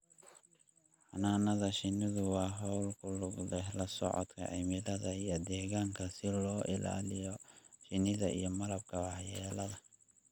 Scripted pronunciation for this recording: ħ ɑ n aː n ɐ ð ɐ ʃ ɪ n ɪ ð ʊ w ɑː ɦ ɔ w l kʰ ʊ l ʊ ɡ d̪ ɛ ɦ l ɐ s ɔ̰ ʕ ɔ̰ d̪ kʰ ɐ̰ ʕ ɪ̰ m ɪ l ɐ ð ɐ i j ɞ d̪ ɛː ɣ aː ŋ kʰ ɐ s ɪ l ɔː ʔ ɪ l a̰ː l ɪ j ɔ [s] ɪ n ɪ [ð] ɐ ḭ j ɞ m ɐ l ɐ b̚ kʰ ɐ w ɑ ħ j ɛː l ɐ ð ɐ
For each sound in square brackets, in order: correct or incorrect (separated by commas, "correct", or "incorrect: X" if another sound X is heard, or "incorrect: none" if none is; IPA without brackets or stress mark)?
incorrect: ʃ, correct